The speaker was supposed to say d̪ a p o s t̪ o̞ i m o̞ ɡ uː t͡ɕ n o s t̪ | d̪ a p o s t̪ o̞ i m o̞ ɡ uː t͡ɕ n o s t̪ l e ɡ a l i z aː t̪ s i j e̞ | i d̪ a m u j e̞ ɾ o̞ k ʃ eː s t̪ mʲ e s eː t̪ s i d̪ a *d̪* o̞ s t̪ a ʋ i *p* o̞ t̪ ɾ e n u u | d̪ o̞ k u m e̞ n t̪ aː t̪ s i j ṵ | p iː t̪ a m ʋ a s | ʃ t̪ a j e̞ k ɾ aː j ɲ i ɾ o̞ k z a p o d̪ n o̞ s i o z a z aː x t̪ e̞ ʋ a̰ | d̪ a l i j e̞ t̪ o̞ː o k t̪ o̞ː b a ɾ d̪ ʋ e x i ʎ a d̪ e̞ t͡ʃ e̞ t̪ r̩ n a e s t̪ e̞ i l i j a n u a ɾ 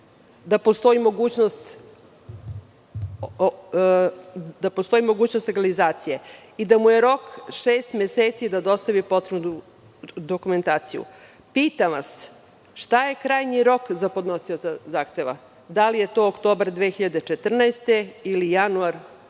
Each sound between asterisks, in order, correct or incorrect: correct, correct

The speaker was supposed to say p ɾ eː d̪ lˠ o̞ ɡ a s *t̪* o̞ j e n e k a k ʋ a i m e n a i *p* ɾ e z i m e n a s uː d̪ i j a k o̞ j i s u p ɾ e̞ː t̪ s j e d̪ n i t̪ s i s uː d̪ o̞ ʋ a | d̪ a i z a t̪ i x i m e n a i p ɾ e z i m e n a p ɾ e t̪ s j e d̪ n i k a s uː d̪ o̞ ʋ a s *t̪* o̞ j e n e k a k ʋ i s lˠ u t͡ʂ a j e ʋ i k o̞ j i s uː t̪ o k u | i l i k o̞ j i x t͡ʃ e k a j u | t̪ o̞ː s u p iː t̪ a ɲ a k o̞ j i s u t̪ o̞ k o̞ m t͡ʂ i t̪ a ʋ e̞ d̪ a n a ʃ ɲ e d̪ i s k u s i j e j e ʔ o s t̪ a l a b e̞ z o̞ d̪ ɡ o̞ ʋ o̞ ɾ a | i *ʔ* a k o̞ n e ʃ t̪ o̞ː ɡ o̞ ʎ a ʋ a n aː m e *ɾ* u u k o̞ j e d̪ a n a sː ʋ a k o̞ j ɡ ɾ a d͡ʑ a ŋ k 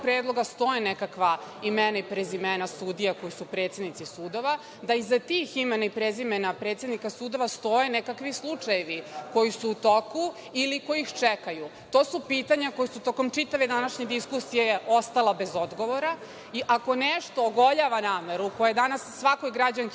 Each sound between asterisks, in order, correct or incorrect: correct, correct, correct, correct, correct

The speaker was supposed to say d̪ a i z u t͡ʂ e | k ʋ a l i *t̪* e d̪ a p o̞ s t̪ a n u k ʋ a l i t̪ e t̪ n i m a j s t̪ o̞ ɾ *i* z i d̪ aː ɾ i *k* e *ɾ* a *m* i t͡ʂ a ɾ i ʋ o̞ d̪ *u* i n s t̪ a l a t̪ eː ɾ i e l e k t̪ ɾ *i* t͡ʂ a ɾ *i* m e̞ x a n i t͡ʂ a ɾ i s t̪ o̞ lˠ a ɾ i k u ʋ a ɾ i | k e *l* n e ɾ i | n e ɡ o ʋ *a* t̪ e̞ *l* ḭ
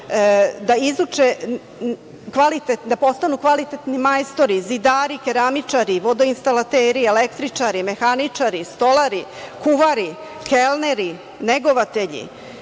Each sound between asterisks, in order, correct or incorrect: correct, correct, correct, correct, correct, incorrect, correct, correct, correct, correct, incorrect

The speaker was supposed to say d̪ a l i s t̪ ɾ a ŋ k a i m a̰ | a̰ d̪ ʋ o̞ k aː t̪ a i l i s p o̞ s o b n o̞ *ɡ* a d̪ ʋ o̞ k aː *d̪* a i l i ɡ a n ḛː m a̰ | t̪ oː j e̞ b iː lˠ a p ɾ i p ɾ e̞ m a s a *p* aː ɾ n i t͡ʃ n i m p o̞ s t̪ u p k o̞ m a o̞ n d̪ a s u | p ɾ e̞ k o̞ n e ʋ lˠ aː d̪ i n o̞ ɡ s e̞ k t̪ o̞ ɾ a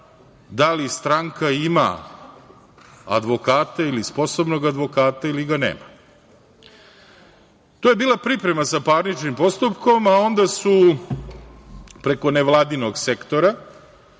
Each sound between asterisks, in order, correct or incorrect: correct, incorrect, correct

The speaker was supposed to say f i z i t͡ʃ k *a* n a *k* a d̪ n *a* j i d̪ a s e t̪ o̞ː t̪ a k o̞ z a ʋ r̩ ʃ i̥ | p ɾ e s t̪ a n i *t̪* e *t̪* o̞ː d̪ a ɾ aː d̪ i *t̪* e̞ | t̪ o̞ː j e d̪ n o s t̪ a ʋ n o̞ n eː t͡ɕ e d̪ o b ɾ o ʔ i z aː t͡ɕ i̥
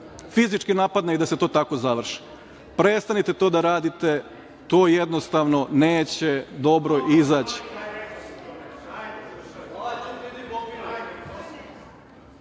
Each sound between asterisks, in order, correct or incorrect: incorrect, incorrect, correct, correct, correct, correct

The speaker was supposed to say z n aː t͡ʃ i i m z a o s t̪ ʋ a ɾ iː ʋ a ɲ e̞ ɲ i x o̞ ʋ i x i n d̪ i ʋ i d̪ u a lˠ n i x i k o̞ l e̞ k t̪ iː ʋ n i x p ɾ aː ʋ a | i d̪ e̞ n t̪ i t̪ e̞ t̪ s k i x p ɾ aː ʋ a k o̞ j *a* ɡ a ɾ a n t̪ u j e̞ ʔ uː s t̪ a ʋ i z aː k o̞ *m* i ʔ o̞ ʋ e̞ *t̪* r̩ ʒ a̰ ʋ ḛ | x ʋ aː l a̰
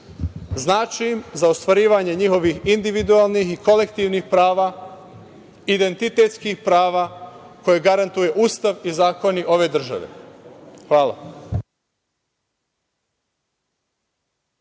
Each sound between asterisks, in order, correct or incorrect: incorrect, incorrect, incorrect

